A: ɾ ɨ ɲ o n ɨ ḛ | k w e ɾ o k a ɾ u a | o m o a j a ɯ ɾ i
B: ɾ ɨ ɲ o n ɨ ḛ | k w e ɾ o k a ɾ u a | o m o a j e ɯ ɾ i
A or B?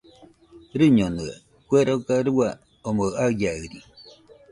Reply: A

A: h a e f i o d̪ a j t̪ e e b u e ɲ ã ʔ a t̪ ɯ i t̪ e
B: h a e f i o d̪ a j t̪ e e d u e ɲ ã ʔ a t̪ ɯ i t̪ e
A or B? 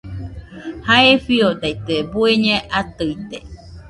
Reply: A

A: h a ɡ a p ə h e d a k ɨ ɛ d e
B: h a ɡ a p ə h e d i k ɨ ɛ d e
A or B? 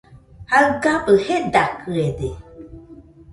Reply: A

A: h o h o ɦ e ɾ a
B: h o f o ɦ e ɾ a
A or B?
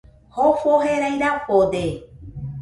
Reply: B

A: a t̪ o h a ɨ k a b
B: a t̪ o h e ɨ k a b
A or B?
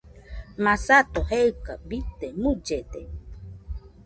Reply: B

